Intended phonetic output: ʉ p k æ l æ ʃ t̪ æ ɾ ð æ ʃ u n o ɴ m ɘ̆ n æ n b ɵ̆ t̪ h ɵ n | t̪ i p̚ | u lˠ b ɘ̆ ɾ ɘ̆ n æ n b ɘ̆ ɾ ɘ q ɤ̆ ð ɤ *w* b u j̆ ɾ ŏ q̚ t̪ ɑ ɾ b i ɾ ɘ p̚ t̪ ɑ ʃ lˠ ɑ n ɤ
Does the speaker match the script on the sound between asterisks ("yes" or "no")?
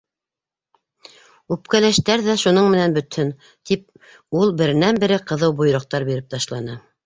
yes